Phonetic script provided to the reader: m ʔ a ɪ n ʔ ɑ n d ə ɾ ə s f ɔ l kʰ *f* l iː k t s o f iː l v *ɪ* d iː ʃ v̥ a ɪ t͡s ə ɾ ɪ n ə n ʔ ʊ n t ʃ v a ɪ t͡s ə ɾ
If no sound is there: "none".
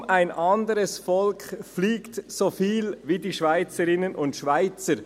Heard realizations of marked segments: f, i

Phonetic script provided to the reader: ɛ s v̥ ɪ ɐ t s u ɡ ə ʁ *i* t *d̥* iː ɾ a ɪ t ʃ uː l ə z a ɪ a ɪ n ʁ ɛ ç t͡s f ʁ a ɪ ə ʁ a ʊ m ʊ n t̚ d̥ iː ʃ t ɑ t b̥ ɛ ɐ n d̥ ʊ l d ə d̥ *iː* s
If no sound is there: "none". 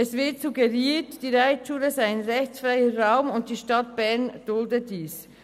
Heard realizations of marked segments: iː, d̥, iː

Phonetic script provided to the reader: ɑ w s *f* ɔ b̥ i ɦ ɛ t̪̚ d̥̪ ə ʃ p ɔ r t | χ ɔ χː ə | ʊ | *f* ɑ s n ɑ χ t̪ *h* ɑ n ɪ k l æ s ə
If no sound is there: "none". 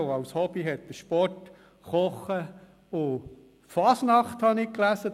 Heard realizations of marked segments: h, f, h

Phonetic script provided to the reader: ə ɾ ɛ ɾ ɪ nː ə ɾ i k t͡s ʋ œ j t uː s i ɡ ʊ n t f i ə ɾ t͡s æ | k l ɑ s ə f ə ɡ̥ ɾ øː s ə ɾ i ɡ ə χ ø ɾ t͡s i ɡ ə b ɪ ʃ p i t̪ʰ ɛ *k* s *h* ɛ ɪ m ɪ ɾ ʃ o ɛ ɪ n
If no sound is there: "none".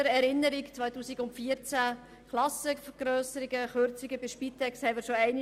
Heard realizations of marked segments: k, h

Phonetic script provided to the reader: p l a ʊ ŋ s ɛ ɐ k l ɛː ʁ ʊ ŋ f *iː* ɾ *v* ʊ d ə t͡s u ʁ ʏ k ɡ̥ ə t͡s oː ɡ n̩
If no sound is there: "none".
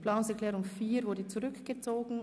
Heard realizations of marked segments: iː, v

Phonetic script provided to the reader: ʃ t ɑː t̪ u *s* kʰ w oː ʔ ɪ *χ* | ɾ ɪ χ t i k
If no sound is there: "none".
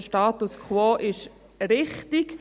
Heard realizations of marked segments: s, ʃ

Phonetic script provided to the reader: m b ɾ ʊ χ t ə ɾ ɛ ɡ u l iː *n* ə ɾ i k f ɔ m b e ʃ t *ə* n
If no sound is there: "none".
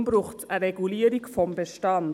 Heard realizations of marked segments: none, ɑ

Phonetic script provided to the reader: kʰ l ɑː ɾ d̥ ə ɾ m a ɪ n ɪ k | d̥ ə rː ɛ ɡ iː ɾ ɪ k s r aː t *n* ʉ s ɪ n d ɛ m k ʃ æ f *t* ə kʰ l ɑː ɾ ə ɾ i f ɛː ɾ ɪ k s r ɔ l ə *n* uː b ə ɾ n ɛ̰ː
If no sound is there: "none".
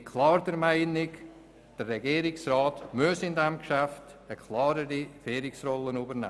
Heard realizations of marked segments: m, t, n

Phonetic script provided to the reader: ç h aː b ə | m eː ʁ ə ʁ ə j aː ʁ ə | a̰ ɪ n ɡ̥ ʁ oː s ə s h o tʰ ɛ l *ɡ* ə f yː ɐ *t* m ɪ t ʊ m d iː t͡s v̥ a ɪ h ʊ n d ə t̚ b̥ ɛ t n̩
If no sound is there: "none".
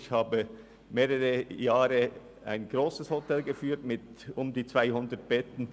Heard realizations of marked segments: ɡ, t

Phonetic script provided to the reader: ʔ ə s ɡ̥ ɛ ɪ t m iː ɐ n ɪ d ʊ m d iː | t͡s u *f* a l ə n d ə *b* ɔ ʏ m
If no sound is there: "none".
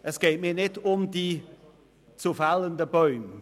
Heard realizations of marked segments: f, b

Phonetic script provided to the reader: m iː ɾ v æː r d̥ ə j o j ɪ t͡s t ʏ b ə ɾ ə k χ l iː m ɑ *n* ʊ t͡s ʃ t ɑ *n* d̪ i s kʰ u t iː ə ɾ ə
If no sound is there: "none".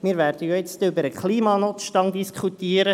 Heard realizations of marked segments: n, ŋ

